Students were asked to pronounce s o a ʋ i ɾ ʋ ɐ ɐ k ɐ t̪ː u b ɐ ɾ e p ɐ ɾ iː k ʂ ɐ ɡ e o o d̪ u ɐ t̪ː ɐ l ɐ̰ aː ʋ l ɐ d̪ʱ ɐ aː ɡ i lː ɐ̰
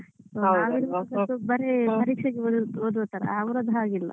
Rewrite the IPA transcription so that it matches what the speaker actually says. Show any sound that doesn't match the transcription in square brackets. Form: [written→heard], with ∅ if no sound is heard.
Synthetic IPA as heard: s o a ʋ i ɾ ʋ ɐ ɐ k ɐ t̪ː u b ɐ ɾ e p ɐ ɾ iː k ʂ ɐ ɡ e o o d̪ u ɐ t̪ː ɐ [l→ɾ] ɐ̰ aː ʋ [l→ɾ] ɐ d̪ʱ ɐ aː ɡ i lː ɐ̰